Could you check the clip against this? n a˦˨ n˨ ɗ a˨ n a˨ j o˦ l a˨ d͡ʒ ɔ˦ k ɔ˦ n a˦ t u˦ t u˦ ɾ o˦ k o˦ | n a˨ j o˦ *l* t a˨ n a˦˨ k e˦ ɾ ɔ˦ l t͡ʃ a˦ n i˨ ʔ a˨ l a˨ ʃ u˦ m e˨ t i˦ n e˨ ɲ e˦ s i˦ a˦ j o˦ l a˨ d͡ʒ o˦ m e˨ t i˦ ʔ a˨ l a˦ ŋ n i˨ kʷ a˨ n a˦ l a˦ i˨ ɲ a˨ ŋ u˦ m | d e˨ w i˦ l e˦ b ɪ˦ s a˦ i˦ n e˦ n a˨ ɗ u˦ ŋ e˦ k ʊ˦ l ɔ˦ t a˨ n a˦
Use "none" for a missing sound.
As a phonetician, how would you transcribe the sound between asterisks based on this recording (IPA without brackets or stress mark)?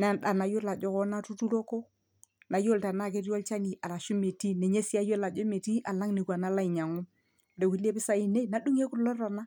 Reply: l